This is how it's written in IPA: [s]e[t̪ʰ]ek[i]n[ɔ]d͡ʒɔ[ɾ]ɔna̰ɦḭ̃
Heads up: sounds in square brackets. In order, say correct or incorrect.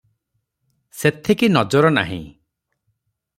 correct, correct, correct, correct, correct

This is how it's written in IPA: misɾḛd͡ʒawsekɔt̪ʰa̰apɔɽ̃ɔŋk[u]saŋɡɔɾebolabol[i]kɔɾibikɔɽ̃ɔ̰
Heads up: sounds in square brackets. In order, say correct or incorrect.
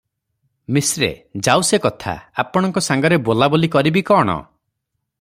incorrect: ɔ, correct

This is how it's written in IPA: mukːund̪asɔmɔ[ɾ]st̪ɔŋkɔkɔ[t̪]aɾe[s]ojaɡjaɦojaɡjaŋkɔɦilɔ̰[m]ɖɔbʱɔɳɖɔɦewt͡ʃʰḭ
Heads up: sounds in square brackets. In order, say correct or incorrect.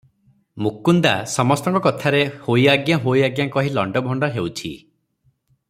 incorrect: none, incorrect: t̪ʰ, incorrect: h, incorrect: ɳ

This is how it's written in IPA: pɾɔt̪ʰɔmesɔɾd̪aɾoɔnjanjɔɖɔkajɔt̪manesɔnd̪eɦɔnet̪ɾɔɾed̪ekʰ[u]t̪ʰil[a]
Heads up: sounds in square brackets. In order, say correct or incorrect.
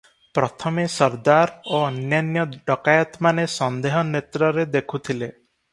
correct, incorrect: e

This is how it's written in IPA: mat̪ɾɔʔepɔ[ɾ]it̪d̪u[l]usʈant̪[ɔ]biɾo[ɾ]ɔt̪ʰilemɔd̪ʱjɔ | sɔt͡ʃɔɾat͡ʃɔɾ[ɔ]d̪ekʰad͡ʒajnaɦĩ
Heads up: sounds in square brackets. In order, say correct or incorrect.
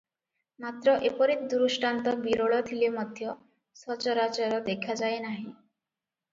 correct, incorrect: ɾ, correct, incorrect: ɭ, correct

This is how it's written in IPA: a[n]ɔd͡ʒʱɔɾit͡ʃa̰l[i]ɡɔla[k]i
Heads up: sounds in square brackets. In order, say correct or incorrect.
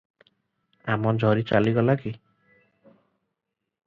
incorrect: m, correct, correct

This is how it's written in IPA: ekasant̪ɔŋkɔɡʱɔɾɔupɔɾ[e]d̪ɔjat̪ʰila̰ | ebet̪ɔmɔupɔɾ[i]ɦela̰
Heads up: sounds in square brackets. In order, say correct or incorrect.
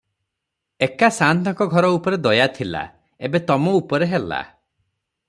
correct, incorrect: e

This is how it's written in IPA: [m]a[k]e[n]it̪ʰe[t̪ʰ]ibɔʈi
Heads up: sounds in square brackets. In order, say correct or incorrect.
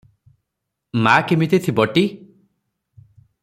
correct, correct, incorrect: m, correct

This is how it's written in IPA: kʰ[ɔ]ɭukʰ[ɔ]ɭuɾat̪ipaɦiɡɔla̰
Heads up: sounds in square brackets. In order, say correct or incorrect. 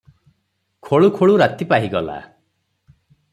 incorrect: o, incorrect: o

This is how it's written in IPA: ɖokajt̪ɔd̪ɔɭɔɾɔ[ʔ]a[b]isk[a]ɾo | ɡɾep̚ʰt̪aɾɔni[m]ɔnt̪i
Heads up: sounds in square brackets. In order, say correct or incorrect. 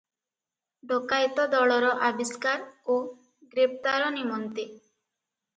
correct, correct, correct, correct

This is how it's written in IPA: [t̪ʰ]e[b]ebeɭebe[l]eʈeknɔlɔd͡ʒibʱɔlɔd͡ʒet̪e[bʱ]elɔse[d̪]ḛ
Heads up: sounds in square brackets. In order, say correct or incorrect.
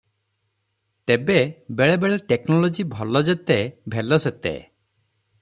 incorrect: t̪, correct, incorrect: ɭ, correct, incorrect: t̪

